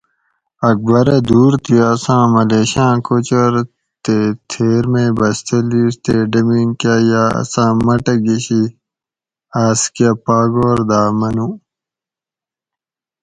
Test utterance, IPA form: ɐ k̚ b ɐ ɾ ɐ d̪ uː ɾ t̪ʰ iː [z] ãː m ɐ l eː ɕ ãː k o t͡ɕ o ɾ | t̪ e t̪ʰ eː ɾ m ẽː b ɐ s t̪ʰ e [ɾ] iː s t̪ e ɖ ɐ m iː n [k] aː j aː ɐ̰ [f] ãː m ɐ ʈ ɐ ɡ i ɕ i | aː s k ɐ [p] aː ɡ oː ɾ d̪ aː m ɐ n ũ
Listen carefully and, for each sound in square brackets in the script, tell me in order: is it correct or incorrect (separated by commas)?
incorrect, incorrect, correct, incorrect, correct